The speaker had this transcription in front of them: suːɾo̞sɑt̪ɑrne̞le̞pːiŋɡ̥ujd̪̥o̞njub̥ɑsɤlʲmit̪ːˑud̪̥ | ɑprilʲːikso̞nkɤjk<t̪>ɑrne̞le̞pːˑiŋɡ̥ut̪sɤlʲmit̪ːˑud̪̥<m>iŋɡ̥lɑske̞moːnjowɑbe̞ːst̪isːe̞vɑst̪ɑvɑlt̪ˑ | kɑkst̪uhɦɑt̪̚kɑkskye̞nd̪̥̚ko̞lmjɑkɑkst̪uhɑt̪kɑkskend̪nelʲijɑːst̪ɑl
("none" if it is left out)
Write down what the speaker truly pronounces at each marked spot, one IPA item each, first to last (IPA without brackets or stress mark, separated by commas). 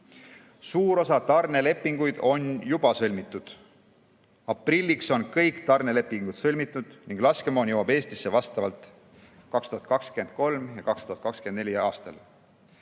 t̪, n